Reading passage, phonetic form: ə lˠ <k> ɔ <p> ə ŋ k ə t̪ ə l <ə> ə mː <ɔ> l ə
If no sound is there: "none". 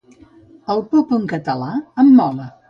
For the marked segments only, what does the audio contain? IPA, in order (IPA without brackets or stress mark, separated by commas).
p, p, a, ɔ